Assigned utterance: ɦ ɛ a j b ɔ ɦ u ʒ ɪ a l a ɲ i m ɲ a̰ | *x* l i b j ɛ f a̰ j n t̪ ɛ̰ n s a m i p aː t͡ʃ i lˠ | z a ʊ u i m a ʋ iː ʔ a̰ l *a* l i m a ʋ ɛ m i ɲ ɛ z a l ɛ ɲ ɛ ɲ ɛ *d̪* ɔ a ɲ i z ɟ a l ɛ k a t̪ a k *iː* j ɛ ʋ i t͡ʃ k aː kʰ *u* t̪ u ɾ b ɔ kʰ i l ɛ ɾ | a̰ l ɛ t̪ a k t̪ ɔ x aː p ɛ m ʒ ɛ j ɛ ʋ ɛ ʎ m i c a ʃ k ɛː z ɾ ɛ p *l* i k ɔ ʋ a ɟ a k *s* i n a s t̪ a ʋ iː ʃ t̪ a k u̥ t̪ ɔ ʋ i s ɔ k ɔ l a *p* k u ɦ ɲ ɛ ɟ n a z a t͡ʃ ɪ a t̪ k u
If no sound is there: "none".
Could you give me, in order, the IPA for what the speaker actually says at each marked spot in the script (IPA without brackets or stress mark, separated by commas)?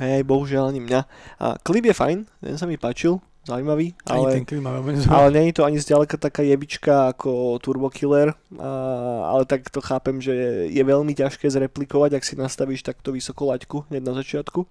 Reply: k, ɛ, t̪, aː, ɔ, l, s, c